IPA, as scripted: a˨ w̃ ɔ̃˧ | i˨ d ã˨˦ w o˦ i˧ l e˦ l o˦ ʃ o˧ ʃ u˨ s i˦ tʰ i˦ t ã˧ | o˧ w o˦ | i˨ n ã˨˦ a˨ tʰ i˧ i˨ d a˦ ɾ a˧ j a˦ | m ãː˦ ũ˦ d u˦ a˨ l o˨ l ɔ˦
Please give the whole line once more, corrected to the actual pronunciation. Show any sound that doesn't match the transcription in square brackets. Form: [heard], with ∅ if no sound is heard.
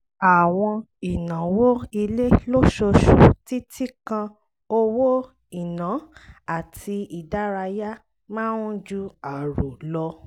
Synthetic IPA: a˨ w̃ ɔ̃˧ | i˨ [n] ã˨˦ w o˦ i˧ l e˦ l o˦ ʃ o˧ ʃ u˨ [t] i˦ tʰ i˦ [k] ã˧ | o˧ w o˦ | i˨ n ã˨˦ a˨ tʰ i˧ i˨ d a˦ ɾ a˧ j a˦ | m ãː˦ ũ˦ [d͡ʒ] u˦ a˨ [ɾ] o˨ l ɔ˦